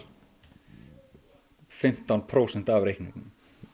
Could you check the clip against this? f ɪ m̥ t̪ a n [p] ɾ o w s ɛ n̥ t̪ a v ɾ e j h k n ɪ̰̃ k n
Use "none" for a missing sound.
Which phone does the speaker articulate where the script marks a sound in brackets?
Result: pʰ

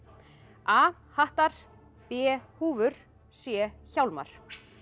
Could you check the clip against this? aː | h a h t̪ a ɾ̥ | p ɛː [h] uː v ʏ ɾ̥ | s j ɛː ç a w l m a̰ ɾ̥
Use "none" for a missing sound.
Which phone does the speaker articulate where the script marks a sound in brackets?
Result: h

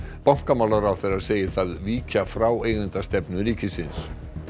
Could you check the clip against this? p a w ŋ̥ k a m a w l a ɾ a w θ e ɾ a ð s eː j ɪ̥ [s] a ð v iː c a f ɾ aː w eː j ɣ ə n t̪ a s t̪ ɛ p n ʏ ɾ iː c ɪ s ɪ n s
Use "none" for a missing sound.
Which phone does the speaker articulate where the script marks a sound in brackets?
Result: θ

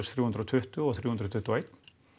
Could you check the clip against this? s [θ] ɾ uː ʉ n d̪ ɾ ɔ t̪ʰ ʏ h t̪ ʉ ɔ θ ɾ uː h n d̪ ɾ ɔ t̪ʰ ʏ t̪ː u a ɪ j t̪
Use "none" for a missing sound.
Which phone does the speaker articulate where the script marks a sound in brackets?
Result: θ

